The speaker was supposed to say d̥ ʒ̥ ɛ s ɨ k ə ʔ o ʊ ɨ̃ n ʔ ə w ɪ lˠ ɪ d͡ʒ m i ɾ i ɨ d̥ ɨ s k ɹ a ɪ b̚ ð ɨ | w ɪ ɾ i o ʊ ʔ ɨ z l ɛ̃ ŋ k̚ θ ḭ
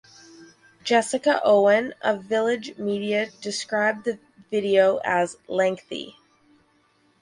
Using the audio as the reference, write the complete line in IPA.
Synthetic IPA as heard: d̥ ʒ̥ ɛ s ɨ k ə ʔ o ʊ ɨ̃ n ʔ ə v ɪ lˠ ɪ d͡ʒ m i ɾ i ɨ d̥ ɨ s k ɹ a ɪ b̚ ð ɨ | v ɪ ɾ i o ʊ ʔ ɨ z l ɛ̃ ŋ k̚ θ ḭ